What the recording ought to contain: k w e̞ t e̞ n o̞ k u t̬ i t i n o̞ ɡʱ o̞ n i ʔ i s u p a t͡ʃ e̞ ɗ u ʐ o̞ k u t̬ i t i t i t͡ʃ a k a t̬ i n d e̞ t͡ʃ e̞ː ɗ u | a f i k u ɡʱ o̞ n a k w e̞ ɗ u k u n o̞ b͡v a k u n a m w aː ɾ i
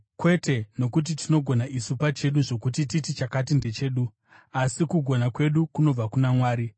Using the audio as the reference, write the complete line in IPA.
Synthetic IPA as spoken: k w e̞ t e̞ n o̞ k u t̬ i t i n o̞ ɡʱ o̞ n a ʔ i s u p a t͡ʃ e̞ ɗ u ʐ o̞ k u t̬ i t i t i t͡ʃ a k a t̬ i n d e̞ t͡ʃ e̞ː ɗ u | a s i k u ɡʱ o̞ n a k w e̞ ɗ u k u n o̞ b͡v a k u n a m w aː ɾ i